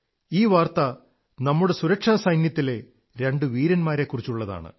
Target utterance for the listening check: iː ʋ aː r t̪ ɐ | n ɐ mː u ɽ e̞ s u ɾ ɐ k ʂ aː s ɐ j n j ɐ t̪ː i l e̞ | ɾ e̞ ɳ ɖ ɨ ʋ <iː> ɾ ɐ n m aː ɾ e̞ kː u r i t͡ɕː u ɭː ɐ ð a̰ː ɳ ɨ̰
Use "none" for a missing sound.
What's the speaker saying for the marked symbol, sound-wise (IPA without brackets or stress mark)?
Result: iː